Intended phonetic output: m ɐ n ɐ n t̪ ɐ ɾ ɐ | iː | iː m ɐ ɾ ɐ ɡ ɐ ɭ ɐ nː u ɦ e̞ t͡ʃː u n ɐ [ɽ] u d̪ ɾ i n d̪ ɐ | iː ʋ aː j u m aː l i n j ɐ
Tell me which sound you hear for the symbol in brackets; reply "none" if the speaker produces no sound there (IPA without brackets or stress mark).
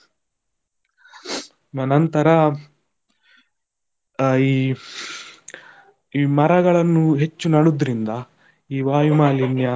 ɽ